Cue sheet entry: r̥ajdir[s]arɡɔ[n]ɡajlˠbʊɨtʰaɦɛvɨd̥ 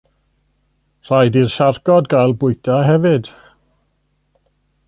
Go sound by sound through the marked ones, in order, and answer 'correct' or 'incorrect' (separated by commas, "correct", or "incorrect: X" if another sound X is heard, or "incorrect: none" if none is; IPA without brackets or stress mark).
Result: incorrect: ʃ, incorrect: d